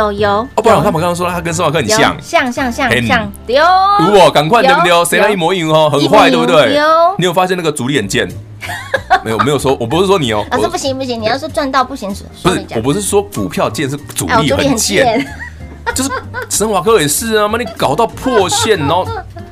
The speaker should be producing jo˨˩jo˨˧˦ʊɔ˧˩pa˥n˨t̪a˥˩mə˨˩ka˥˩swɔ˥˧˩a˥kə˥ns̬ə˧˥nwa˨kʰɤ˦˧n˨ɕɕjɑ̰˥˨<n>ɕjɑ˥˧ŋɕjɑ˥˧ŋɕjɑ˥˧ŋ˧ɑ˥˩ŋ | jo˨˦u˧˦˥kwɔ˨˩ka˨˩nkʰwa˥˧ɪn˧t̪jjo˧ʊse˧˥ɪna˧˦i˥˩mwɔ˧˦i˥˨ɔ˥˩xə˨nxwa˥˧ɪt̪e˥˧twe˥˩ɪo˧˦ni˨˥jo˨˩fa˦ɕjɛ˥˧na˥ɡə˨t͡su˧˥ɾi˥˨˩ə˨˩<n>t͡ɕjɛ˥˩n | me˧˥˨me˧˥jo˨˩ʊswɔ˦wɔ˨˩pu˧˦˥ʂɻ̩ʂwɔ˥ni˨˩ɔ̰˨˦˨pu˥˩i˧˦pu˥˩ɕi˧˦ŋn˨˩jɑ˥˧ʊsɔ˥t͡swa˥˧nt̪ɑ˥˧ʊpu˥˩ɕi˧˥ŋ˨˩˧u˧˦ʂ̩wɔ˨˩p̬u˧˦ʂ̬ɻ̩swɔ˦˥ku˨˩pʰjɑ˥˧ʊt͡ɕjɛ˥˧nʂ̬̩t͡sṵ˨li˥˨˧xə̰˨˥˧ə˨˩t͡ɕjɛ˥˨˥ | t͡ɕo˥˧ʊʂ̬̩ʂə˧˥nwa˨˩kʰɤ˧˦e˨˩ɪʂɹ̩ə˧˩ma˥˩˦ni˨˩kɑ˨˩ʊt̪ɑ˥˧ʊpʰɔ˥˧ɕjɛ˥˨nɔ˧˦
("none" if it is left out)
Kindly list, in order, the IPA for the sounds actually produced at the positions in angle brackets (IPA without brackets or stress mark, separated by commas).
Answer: ŋ, n